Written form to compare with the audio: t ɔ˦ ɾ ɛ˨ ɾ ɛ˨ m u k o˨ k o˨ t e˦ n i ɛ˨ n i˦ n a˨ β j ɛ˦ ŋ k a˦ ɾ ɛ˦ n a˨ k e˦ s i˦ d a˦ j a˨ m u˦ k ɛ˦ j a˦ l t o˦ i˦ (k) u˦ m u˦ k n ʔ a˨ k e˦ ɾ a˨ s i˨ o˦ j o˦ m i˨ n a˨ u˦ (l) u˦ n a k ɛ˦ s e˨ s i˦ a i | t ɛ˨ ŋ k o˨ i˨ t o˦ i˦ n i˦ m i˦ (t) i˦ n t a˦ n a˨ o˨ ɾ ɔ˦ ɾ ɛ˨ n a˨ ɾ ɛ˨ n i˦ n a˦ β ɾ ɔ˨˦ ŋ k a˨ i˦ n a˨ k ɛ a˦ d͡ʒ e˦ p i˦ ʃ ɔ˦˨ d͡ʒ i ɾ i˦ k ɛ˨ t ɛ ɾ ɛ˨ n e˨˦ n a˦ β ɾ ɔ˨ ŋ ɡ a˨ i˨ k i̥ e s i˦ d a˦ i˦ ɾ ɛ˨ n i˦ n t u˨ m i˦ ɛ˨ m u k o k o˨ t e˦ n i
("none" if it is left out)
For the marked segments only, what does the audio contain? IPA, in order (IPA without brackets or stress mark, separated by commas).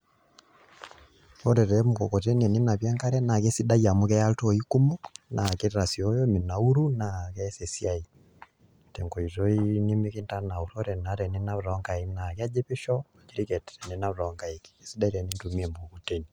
k, ɾ, k